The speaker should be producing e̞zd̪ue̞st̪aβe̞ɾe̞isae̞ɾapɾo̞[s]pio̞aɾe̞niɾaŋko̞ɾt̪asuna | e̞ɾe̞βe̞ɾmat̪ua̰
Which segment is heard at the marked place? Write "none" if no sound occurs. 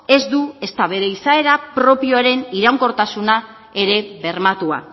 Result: none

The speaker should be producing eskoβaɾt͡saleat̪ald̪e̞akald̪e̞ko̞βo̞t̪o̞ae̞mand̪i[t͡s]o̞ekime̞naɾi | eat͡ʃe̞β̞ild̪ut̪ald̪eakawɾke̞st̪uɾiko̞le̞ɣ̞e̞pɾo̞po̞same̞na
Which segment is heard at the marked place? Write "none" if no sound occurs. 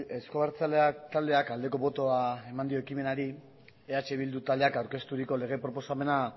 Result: none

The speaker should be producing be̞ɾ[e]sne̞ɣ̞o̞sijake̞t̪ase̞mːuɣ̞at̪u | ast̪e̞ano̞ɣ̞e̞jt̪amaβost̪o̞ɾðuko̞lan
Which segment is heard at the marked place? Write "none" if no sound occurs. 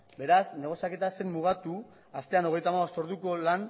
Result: a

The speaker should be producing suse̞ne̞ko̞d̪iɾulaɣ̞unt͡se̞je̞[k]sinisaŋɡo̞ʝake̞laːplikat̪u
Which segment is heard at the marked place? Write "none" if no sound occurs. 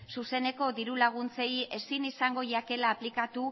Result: none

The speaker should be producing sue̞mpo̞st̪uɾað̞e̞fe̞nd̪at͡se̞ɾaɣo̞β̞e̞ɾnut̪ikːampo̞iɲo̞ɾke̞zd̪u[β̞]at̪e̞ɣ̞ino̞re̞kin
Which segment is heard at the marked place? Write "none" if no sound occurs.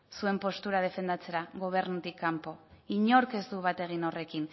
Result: β̞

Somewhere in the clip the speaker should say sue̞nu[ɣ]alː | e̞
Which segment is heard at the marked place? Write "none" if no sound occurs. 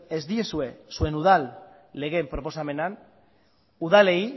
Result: ð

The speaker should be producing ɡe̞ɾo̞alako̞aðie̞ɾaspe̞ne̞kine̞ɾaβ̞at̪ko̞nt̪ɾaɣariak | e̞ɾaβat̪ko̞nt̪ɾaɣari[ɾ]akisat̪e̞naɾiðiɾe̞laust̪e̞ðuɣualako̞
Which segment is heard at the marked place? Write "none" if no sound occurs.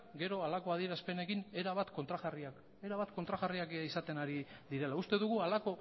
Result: none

